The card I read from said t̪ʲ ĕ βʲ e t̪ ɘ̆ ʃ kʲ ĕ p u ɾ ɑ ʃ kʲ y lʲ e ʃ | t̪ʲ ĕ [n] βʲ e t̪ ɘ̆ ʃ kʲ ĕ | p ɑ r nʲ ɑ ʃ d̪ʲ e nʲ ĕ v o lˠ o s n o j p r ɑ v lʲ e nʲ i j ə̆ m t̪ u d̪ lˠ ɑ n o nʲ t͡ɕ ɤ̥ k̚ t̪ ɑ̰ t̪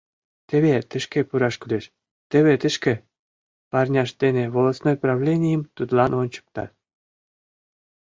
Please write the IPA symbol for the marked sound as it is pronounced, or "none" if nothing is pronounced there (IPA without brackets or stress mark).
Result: none